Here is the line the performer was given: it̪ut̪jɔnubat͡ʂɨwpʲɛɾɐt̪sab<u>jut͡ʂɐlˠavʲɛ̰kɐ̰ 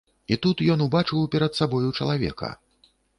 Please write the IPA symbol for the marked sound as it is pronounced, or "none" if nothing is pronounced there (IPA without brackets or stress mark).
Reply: ɔ